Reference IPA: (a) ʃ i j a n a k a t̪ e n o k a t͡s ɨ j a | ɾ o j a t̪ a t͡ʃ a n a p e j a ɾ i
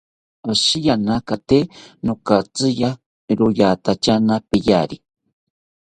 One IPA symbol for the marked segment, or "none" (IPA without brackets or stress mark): a